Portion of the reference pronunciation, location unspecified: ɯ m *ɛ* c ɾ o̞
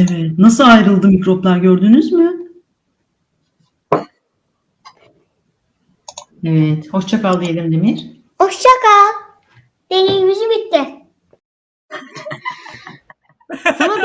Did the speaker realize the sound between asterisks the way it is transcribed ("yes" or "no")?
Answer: no